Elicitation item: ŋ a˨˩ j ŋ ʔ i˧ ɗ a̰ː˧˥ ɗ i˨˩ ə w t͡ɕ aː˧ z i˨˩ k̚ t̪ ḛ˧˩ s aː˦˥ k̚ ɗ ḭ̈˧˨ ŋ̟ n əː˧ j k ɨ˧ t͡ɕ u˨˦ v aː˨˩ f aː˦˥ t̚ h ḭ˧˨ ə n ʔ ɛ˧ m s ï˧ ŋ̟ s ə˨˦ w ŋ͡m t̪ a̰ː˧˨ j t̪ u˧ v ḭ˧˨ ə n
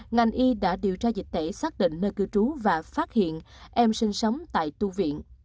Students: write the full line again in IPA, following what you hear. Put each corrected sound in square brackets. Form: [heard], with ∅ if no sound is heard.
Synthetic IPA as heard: ŋ a˨˩ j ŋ ʔ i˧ ɗ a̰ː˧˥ ɗ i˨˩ ə w t͡ɕ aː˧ z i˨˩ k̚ t̪ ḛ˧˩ s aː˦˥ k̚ ɗ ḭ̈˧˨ ŋ̟ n əː˧ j k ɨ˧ t͡ɕ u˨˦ v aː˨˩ f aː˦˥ t̚ h ḭ˧˨ ə n ʔ ɛ˧ m s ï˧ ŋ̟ s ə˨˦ w ŋ͡m t̪ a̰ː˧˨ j t̪ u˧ v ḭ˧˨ ə n